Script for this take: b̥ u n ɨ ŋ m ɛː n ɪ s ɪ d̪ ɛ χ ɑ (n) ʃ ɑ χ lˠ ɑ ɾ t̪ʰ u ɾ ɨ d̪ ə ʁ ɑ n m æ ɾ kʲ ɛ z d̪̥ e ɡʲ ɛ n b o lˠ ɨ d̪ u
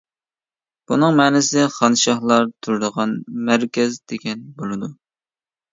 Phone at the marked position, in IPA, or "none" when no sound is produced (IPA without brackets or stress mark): n